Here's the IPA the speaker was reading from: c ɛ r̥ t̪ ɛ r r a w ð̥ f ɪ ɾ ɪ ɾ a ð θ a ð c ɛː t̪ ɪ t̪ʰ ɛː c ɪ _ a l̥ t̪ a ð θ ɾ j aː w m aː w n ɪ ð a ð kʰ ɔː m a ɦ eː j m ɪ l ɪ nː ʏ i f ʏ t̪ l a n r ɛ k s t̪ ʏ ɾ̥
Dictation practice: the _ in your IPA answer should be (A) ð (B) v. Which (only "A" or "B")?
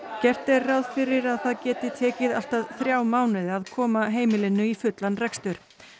A